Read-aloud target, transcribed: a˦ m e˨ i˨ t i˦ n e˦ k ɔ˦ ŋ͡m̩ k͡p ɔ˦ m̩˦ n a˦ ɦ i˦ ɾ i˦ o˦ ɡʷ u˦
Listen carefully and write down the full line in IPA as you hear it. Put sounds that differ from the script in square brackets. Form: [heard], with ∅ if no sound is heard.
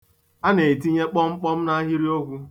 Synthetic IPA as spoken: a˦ [n] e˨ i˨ t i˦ [ɲ] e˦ [k͡p] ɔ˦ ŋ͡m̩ k͡p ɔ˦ m̩˦ n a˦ ɦ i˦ ɾ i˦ o˦ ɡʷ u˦